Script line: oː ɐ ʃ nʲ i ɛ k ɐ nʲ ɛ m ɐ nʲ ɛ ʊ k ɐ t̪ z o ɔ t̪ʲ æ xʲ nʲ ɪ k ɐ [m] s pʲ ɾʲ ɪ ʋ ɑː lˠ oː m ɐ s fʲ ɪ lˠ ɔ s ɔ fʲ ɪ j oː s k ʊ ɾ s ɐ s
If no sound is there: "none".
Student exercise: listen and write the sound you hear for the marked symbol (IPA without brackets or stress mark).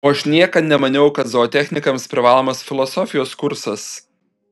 m